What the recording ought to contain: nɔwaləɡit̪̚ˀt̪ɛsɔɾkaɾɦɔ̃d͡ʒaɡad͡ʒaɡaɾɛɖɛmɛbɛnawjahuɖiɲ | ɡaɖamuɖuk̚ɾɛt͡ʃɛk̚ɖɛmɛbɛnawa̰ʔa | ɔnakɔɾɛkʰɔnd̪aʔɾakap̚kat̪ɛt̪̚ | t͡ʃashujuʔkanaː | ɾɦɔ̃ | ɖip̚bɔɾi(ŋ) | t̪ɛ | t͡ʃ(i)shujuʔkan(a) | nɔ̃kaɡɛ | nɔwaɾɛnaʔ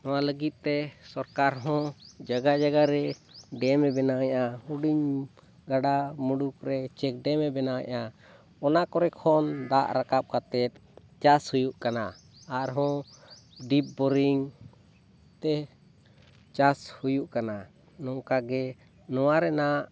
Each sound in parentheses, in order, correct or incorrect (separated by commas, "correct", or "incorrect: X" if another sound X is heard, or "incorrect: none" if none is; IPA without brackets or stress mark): correct, incorrect: a, correct